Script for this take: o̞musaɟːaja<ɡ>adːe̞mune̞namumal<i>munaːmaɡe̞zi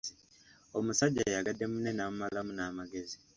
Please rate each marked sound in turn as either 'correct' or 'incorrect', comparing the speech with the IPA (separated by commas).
correct, incorrect